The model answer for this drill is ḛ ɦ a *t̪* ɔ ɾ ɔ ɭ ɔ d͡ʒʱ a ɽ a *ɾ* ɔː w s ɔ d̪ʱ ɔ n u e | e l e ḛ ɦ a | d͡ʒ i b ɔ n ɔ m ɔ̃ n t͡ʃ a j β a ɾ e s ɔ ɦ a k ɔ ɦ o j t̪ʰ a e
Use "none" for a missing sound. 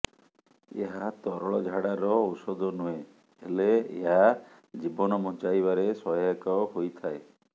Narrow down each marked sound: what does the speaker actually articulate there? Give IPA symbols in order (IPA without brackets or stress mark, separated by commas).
t̪, ɾ